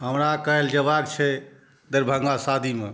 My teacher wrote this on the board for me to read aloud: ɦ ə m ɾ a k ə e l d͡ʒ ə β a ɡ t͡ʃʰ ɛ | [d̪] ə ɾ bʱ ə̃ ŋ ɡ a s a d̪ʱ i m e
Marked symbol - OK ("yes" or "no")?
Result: yes